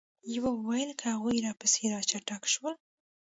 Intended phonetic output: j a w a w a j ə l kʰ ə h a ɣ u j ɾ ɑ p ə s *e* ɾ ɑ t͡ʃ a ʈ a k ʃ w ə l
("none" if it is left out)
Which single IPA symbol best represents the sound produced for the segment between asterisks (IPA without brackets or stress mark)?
e